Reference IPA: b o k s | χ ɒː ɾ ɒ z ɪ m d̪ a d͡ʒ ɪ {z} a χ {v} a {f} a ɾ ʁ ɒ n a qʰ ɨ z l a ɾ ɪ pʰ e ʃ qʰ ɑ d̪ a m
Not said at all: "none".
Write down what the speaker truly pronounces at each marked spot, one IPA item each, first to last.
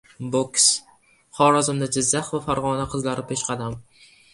zː, v, f

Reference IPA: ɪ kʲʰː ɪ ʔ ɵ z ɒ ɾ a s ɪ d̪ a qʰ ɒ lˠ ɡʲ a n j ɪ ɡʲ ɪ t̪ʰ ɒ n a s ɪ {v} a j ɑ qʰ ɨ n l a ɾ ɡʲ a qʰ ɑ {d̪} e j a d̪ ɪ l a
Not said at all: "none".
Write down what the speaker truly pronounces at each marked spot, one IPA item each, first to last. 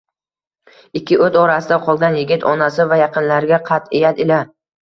v, t̪

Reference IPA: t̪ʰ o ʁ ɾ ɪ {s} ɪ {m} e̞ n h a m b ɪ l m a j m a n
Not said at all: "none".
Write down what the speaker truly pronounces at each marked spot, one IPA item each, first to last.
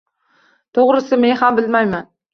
s, m

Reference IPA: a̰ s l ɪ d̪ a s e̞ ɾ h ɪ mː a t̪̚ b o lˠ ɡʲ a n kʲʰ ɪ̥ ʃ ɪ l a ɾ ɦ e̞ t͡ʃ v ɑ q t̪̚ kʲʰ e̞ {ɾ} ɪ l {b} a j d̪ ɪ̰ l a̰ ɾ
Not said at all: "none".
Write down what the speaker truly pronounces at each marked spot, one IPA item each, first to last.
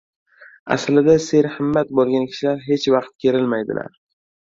ɾ, m

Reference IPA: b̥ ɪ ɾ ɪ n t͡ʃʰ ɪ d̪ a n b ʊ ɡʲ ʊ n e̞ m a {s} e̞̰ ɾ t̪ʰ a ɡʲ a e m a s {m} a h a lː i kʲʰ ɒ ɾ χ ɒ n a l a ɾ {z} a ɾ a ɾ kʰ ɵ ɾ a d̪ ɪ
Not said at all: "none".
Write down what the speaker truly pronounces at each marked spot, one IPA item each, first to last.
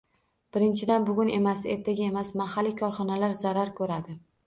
s, m, z

